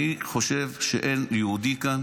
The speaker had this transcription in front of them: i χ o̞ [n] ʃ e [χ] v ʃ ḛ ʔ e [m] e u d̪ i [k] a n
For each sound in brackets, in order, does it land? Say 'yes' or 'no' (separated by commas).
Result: no, no, no, yes